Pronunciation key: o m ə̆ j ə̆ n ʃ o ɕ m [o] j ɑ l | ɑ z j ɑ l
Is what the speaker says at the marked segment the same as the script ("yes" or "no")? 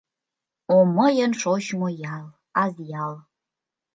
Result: yes